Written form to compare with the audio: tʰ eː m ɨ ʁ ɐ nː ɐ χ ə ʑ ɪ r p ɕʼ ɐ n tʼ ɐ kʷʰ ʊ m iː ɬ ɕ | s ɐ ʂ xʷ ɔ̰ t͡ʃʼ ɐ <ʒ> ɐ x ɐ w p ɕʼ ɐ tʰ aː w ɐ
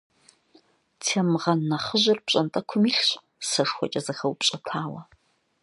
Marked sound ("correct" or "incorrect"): incorrect